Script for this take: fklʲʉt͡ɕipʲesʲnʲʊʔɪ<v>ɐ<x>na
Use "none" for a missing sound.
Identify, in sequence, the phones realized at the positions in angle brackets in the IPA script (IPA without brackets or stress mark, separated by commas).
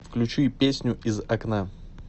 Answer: z, k